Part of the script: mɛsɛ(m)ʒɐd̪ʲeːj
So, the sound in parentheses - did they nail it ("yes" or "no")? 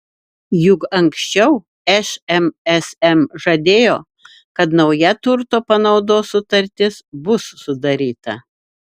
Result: yes